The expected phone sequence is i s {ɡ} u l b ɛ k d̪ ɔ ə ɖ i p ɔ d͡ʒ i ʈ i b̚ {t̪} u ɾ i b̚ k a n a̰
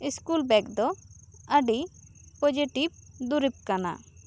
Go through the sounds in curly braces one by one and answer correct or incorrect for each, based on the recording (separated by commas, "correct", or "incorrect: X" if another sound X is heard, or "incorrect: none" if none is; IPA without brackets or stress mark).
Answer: incorrect: k, incorrect: d̪